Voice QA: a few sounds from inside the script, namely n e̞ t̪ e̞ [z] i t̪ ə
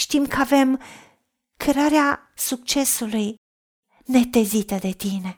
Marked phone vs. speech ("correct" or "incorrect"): correct